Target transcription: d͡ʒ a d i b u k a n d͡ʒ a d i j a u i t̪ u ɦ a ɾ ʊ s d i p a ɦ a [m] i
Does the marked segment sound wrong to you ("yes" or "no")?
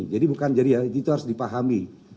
no